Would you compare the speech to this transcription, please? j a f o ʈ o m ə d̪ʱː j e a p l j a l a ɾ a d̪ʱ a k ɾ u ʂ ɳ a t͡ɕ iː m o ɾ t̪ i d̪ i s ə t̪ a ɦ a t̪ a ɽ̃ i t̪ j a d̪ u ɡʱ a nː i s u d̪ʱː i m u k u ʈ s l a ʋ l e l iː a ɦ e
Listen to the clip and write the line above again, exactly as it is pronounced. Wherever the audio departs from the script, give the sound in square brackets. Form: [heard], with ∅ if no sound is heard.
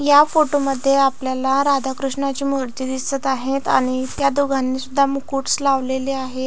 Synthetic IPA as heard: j a f o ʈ o m ə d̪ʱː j e a p l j a l a ɾ a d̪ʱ a k ɾ u ʂ ɳ a t͡ɕ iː m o ɾ t̪ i d̪ i s ə t̪ a ɦ [e] t̪ a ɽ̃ i t̪ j a d̪ u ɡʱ a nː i s u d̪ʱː [a] m u k u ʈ s l a ʋ l e l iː a ɦ e